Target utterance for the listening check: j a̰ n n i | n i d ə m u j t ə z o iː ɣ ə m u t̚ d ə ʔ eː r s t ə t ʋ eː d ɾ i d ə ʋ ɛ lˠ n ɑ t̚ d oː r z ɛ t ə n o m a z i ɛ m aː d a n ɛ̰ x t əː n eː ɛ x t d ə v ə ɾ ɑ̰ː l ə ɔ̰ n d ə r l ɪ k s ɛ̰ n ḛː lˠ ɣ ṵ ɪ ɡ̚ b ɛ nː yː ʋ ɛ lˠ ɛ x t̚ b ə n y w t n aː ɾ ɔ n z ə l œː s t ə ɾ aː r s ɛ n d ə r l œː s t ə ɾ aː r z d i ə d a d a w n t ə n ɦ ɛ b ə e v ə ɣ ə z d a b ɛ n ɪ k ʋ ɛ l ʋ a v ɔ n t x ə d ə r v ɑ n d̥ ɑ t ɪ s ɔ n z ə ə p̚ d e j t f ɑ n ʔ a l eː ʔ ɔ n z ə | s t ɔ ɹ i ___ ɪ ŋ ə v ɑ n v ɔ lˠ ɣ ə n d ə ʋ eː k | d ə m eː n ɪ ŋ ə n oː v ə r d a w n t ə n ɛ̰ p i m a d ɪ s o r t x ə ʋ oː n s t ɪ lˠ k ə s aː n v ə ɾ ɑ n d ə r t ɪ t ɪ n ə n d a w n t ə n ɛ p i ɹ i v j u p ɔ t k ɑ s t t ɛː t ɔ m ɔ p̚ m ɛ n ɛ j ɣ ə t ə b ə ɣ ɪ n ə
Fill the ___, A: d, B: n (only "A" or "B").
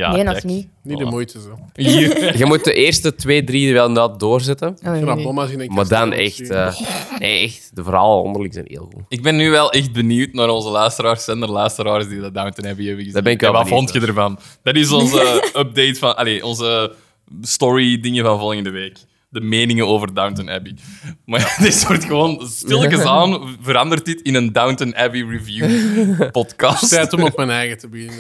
A